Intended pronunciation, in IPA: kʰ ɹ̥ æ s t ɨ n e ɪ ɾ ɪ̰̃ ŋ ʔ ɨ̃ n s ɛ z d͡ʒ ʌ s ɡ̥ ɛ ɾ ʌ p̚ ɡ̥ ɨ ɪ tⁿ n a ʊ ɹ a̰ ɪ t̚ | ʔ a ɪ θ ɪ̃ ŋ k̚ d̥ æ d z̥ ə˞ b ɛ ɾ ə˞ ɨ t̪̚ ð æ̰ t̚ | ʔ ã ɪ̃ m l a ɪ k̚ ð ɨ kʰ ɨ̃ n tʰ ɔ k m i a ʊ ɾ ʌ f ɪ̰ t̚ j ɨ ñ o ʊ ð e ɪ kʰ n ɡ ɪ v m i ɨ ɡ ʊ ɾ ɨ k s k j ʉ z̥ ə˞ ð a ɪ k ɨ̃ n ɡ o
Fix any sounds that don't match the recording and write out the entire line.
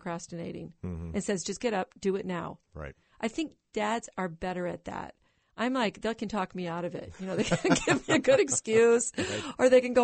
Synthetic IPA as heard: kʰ ɹ̥ æ s t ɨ n e ɪ ɾ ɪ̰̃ ŋ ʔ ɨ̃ n s ɛ z d͡ʒ ʌ s ɡ̥ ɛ ɾ ʌ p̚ d̥ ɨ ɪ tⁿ n a ʊ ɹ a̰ ɪ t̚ | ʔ a ɪ θ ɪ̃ ŋ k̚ d̥ æ d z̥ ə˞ b ɛ ɾ ə˞ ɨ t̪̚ ð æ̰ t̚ | ʔ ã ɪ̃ m l a ɪ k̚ ð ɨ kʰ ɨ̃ n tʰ ɔ k m i a ʊ ɾ ʌ v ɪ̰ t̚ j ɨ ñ o ʊ ð e ɪ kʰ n ɡ ɪ v m i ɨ ɡ ʊ ɾ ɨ k s k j ʉ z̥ ə˞ ð e ɪ k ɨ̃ n ɡ o